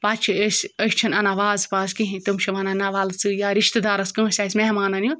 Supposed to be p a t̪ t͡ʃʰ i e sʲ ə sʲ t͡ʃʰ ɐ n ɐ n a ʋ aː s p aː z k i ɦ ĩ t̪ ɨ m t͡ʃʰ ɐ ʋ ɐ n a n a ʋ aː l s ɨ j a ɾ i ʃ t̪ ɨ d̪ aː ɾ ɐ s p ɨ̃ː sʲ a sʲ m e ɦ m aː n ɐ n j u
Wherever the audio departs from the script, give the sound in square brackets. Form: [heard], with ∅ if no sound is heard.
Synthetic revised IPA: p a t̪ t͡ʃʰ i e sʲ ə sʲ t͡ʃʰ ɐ n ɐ n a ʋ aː [z] p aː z k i ɦ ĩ t̪ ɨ m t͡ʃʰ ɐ ʋ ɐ n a n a ʋ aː l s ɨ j a ɾ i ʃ t̪ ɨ d̪ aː ɾ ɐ s [k] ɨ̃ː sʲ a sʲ m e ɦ m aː n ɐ n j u